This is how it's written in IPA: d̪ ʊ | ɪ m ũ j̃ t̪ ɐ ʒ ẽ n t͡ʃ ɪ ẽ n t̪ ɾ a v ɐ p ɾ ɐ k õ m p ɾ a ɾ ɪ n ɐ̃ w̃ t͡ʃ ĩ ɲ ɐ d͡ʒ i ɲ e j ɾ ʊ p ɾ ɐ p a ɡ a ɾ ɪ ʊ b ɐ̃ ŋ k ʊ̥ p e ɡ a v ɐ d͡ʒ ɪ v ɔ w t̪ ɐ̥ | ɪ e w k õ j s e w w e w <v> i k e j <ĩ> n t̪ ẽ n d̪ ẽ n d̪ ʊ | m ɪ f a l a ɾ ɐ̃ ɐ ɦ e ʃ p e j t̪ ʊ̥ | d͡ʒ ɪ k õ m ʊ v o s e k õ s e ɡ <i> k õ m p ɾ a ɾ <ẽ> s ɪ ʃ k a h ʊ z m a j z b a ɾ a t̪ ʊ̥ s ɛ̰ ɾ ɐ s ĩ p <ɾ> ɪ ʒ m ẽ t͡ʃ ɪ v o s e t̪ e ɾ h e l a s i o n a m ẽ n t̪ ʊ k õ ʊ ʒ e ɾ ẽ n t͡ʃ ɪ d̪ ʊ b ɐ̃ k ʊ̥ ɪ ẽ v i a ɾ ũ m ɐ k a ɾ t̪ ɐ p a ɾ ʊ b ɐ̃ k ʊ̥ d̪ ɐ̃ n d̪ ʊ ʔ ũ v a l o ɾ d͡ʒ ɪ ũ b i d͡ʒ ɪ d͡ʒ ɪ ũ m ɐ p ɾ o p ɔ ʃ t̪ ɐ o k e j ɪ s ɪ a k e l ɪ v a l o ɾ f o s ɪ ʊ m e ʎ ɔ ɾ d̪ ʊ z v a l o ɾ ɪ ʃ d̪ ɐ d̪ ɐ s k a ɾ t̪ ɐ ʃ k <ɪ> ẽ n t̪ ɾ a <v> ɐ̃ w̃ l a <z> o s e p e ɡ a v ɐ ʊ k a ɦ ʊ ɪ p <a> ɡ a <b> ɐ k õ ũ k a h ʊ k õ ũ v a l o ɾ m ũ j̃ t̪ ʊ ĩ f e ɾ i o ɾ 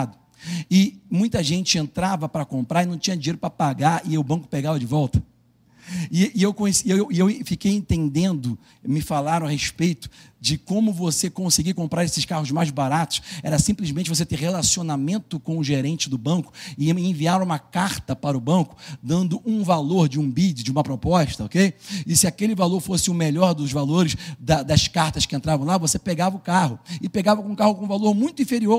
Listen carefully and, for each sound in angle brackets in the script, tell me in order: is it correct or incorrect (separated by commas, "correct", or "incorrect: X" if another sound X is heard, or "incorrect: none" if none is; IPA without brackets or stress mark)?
incorrect: f, incorrect: ẽ, correct, incorrect: e, incorrect: l, correct, correct, incorrect: v, incorrect: e, incorrect: v